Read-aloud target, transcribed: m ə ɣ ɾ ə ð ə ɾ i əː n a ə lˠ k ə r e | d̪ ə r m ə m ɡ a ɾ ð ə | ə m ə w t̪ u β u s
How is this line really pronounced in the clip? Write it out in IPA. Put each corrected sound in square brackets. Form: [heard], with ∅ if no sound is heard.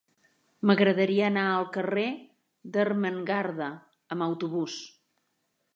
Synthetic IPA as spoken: m ə ɣ ɾ ə ð ə ɾ i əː n a ə lˠ k ə r e | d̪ ə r m ə [ŋ] ɡ a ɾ ð ə | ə m ə w t̪ u β u s